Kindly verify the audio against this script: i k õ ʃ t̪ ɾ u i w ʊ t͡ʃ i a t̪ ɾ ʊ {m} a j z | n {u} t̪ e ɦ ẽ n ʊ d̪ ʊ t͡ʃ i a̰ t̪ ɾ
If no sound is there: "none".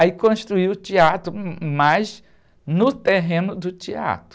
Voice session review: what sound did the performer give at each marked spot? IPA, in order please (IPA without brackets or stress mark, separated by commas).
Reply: m, ʊ